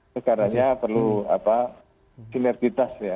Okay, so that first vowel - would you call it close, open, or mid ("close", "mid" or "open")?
mid